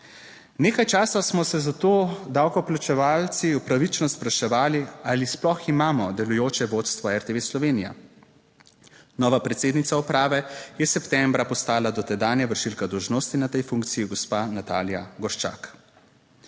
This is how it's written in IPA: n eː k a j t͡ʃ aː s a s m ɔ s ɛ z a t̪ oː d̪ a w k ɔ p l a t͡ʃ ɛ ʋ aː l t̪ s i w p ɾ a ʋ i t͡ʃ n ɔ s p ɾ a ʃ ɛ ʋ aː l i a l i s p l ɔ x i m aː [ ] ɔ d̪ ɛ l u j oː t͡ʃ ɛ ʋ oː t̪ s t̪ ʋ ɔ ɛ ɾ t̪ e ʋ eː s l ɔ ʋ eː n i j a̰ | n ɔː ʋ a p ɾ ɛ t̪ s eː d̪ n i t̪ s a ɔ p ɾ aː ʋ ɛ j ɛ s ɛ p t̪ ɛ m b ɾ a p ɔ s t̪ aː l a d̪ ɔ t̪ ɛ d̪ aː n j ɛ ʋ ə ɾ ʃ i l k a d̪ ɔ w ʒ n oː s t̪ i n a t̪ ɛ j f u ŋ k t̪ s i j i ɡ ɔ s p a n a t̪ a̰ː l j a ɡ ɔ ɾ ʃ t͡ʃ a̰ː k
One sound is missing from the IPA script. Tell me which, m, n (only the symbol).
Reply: m